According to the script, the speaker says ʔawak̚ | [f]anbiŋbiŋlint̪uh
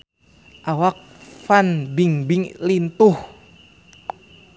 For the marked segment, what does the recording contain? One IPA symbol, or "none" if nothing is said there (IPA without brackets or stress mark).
f